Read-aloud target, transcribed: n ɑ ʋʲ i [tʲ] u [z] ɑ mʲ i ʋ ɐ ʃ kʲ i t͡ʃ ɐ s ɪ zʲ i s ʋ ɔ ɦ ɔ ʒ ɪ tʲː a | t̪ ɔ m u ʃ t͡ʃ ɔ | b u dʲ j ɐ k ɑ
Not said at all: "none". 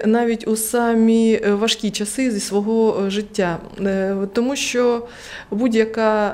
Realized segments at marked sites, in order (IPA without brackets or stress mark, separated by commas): tʲ, s